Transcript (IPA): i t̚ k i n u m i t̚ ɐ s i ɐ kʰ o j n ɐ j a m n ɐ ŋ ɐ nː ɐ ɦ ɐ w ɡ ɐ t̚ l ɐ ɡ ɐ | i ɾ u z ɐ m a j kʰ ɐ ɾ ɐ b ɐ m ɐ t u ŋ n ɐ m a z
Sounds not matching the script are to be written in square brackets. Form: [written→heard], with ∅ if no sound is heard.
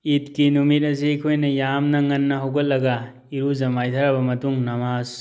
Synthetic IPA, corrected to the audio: i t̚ k i n u m i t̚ ɐ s i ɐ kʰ o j n ɐ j a m n ɐ ŋ ɐ nː ɐ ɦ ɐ w ɡ ɐ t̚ l ɐ ɡ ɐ | i ɾ u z ɐ m a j [kʰ→tʰ] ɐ ɾ ɐ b ɐ m ɐ t u ŋ n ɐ m a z